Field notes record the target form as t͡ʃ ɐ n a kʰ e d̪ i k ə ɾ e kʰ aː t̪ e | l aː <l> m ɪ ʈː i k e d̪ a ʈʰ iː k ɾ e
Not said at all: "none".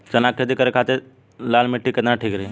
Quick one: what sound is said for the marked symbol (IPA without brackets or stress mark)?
l